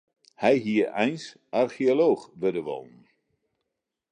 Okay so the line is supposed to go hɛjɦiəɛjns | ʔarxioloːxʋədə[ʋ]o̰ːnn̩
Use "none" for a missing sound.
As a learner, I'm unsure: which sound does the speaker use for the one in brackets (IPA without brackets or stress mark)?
ʋ